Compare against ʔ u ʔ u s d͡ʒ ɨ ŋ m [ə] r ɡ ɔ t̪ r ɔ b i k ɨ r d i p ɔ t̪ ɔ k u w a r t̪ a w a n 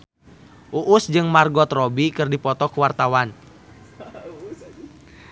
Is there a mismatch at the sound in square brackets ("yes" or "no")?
yes